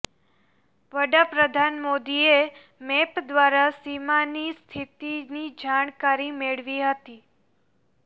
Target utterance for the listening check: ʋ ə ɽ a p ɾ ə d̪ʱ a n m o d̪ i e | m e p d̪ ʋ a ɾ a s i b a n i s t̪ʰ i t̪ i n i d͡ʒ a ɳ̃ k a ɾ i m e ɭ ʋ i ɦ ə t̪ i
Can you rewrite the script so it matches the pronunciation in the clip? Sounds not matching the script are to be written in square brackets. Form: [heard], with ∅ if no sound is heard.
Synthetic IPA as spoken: ʋ ə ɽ a p ɾ ə d̪ʱ a n m o d̪ i e | m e p d̪ ʋ a ɾ a s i [m] a n i s t̪ʰ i t̪ i n i d͡ʒ a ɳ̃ k a ɾ i m e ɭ ʋ i ɦ ə t̪ i